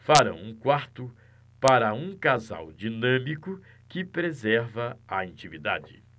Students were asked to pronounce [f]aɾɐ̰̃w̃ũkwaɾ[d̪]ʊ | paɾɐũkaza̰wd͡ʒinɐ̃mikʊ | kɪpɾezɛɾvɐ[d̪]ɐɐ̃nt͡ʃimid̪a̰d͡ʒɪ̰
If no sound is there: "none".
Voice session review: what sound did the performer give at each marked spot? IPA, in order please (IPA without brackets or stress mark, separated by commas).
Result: f, t̪, none